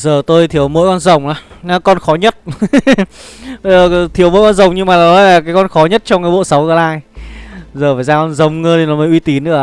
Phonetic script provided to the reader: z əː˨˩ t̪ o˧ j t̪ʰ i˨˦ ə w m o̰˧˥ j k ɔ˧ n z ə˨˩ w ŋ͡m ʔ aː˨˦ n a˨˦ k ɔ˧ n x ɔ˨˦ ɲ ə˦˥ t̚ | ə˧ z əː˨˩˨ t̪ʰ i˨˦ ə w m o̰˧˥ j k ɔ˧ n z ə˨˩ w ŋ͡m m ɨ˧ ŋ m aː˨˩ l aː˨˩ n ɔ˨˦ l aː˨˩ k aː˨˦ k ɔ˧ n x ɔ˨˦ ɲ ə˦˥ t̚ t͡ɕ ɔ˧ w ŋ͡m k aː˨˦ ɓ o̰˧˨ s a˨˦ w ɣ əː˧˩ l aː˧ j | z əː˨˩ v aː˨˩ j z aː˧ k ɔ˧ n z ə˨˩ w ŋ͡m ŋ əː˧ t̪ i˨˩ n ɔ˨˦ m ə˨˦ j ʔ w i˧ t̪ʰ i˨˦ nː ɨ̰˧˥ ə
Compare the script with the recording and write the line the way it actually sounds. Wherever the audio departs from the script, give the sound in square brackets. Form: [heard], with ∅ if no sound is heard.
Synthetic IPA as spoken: z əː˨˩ t̪ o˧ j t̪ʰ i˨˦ ə w m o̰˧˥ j k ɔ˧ n z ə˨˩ w ŋ͡m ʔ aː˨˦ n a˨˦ k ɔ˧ n x ɔ˨˦ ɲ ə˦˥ t̚ | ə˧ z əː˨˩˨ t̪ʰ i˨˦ ə w m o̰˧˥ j k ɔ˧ n z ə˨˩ w ŋ͡m [ɲ] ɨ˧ ŋ m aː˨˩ l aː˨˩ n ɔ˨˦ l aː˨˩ k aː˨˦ k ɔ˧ n x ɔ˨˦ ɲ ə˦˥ t̚ t͡ɕ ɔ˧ w ŋ͡m k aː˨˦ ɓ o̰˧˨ s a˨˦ w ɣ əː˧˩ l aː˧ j | z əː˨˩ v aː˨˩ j z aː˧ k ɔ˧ n z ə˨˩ w ŋ͡m ŋ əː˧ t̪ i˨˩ n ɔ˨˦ m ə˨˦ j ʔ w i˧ [t̪] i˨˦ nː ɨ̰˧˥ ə